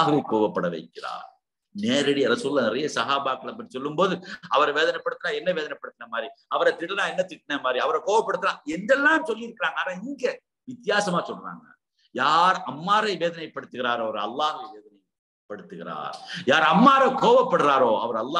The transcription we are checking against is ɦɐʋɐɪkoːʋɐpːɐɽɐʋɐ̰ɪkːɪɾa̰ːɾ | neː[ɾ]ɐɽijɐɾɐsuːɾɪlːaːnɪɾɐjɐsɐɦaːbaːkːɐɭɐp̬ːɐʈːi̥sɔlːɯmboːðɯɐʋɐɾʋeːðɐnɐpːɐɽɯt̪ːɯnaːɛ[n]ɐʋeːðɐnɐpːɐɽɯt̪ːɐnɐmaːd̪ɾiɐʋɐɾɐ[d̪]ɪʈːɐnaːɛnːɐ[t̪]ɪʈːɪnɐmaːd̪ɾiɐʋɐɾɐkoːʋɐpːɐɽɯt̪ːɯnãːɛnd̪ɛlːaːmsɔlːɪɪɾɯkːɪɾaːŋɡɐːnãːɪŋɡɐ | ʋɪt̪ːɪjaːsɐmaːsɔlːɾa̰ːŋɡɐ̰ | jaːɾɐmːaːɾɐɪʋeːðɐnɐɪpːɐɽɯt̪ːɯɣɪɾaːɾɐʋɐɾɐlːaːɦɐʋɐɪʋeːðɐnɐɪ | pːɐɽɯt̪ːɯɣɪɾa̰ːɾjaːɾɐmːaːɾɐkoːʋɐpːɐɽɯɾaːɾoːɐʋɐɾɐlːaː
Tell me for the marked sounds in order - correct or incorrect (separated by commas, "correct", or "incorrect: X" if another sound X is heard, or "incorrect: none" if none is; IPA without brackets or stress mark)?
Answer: correct, incorrect: nː, incorrect: t̪, correct